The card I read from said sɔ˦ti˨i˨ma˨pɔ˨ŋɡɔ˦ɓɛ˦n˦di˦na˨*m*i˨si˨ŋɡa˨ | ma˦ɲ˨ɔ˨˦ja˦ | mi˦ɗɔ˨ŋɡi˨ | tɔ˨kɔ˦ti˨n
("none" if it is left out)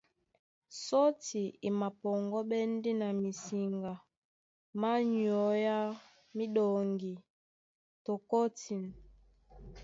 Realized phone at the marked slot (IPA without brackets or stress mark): m